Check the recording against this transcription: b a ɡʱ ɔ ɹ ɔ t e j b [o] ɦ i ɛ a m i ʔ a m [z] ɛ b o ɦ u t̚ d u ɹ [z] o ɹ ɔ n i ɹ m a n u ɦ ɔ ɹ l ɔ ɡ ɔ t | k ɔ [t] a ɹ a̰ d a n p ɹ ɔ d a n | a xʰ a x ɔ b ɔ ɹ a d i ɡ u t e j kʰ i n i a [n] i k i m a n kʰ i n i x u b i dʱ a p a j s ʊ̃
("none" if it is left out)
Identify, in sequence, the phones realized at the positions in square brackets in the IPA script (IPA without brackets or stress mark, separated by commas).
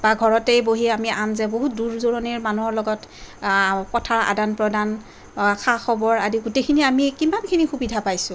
o, z, z, tʰ, m